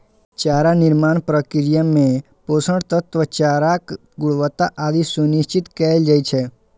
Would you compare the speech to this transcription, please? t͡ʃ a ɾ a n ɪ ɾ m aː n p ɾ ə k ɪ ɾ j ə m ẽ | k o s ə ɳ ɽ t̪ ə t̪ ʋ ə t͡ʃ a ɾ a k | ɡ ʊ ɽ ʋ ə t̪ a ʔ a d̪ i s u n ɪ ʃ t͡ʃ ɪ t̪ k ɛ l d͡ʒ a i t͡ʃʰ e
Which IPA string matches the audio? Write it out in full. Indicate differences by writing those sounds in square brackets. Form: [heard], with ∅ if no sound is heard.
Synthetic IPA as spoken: t͡ʃ a ɾ a n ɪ ɾ m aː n p ɾ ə k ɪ ɾ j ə m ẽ | [p] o s ə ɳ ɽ t̪ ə t̪ ʋ ə t͡ʃ a ɾ a k | ɡ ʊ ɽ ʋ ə t̪ a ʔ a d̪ i s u n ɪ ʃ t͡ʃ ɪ t̪ k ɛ l d͡ʒ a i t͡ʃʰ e